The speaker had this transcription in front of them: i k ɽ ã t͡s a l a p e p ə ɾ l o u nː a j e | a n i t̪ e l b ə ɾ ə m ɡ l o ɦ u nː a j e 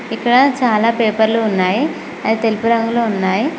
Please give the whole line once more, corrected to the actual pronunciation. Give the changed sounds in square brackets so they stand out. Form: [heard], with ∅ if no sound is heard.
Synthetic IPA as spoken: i k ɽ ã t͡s a l a p e p ə ɾ l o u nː a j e | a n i t̪ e l [p] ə ɾ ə [ŋ] ɡ l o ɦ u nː a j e